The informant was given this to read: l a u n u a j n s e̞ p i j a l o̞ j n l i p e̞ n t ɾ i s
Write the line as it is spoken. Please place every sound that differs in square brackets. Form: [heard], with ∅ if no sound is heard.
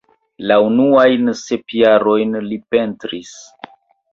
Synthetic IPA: l a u n u a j n s e̞ p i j a [ɾ] o̞ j n l i p e̞ n t ɾ i s